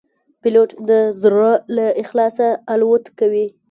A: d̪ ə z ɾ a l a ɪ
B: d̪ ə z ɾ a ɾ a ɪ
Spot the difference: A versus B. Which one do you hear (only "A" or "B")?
A